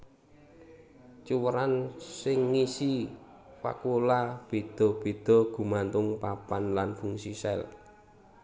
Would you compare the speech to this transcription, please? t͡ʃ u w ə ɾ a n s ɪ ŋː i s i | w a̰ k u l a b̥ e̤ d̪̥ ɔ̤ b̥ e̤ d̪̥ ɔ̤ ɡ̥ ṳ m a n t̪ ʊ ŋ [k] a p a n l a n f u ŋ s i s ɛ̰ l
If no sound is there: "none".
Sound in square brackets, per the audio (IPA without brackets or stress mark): p